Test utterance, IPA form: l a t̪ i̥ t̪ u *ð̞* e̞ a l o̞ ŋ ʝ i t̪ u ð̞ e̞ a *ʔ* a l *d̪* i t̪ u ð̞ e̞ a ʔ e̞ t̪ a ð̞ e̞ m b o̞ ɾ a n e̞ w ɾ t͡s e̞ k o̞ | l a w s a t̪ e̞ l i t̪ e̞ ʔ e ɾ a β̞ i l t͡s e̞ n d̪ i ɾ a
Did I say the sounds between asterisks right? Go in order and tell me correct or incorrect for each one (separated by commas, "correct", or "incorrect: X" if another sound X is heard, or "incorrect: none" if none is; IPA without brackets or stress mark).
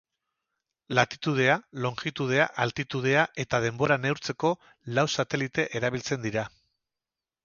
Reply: correct, correct, incorrect: t̪